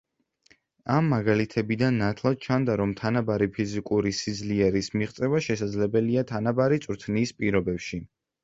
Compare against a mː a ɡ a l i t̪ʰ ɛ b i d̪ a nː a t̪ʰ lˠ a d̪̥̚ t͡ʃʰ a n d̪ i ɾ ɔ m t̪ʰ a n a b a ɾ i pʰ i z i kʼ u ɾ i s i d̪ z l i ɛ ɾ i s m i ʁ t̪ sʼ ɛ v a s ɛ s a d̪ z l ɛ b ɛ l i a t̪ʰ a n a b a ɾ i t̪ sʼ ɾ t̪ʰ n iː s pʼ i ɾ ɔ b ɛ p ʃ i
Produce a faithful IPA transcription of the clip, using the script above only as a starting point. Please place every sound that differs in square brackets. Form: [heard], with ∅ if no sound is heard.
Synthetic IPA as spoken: a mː a ɡ a l i t̪ʰ ɛ b i d̪ a nː a t̪ʰ lˠ a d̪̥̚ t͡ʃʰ a n d̪ [a] ɾ ɔ m t̪ʰ a n a b a ɾ i pʰ i z i kʼ u ɾ i s i d̪ z l i ɛ ɾ i s m i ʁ t̪ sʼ ɛ v a [ʃ] ɛ s a d̪ z l ɛ b ɛ l i a t̪ʰ a n a b a ɾ i t̪ sʼ ɾ t̪ʰ n iː s pʼ i ɾ ɔ b ɛ p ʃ i

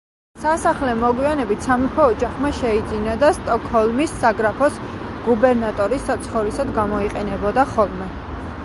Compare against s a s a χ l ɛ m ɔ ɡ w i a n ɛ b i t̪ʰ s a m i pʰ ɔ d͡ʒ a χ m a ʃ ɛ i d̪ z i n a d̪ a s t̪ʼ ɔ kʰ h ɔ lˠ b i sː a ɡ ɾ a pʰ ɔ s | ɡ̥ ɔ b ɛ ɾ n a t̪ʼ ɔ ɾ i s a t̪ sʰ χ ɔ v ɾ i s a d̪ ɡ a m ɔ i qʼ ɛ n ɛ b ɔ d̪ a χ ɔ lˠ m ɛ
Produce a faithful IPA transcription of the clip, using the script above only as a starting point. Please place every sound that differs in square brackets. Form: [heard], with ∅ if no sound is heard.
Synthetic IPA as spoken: s a s a χ l ɛ m ɔ ɡ w i a n ɛ b i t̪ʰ s a m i pʰ [ɔː] d͡ʒ a χ m a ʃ ɛ i d̪ z i n a d̪ a s t̪ʼ ɔ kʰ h ɔ lˠ [m] i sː a ɡ ɾ a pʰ ɔ s | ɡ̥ [u] b ɛ ɾ n a t̪ʼ ɔ ɾ i s a t̪ sʰ χ ɔ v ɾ i s a d̪ ɡ a m ɔ i qʼ ɛ n ɛ b ɔ d̪ a χ ɔ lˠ m ɛ

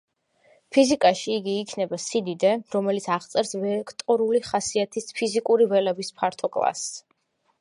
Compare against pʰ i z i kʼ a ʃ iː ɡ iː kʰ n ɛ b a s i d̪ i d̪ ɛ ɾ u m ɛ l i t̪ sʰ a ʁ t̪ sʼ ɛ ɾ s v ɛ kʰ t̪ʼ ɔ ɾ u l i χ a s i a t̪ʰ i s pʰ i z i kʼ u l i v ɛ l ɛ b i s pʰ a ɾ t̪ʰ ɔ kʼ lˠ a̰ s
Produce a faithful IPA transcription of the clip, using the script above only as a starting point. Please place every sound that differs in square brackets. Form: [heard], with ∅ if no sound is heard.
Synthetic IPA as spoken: pʰ i z i kʼ a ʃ iː ɡ iː kʰ n ɛ b a s i d̪ i d̪ ɛ ɾ [ɔ] m ɛ l i t̪ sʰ a ʁ t̪ sʼ ɛ ɾ s v ɛ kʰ t̪ʼ ɔ ɾ u l i χ a s i a t̪ʰ i s pʰ i z i kʼ u [ɾ] i v ɛ l ɛ b i s pʰ a ɾ t̪ʰ ɔ kʼ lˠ a̰ s

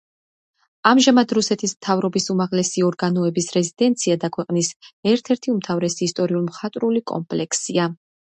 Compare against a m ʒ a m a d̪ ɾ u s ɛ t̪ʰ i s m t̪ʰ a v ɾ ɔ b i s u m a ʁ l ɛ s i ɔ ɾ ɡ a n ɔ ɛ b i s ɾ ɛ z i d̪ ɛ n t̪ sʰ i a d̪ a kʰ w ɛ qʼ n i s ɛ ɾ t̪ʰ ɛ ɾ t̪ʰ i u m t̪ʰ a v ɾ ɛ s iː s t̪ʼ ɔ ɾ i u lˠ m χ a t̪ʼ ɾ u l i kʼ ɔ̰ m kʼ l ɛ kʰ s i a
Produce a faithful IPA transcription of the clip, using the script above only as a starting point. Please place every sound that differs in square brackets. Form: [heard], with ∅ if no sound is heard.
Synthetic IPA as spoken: a m ʒ a m a d̪ ɾ u s ɛ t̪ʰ i s m t̪ʰ a v ɾ ɔ b i s u m a ʁ l ɛ s i ɔ ɾ ɡ a n ɔ ɛ b i s ɾ ɛ z i d̪ ɛ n t̪ sʰ i a d̪ a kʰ w ɛ qʼ n i s ɛ ɾ t̪ʰ ɛ ɾ t̪ʰ i u m t̪ʰ a v ɾ ɛ s iː s t̪ʼ ɔ ɾ i u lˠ m χ a t̪ʼ ɾ u l i kʼ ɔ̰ m [pʼ] l ɛ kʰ s i a

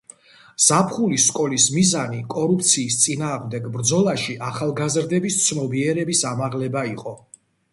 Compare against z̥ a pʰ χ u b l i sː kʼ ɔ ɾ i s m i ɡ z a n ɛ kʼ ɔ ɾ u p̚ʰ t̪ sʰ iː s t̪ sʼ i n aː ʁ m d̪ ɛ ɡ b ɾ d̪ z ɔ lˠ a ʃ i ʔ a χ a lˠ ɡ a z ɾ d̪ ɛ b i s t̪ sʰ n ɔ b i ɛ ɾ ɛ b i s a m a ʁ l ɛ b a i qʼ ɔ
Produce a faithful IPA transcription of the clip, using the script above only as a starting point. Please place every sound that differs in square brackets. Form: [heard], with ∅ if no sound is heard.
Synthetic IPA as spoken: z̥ a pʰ χ u [∅] l i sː kʼ ɔ [l] i s m i [∅] z a n [i] kʼ ɔ ɾ u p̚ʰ t̪ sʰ iː s t̪ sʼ i n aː ʁ m d̪ ɛ ɡ b ɾ d̪ z ɔ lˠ a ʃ i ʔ a χ a lˠ ɡ a z ɾ d̪ ɛ b i s t̪ sʰ n ɔ b i ɛ ɾ ɛ b i s a m a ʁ l ɛ b a i qʼ ɔ

